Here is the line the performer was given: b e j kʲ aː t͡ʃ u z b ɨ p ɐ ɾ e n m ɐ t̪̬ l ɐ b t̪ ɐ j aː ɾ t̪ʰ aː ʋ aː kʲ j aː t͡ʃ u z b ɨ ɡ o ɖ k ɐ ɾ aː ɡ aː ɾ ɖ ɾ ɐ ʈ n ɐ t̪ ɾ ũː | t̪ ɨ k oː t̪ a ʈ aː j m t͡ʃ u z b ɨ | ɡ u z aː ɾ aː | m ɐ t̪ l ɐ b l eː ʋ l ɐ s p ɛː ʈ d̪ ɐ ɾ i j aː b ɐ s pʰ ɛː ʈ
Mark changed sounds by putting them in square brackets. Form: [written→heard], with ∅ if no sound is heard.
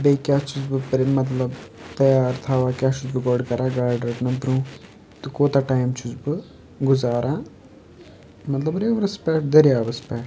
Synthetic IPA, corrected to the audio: b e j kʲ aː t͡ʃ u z b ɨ p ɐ ɾ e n m ɐ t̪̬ l ɐ b t̪ ɐ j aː ɾ t̪ʰ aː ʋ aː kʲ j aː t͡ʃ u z b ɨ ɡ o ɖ k ɐ ɾ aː ɡ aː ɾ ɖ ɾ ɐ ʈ n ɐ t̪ ɾ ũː | t̪ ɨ k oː t̪ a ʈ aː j m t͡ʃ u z b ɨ | ɡ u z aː ɾ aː | m ɐ t̪ l ɐ b [l→ɾ] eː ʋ [l→ɾ] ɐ s p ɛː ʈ d̪ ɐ ɾ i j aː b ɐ s [pʰ→p] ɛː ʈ